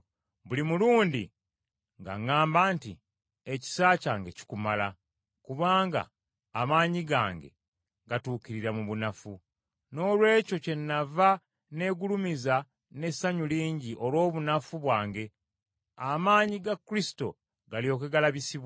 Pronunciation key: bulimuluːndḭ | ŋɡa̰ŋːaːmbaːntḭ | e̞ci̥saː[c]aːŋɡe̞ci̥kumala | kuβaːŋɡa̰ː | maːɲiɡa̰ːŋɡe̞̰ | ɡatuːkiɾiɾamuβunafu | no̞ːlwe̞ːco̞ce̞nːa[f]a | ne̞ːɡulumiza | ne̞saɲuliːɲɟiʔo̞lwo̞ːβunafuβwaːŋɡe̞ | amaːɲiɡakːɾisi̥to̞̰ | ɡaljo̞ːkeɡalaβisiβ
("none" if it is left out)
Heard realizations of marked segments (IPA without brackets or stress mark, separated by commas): c, v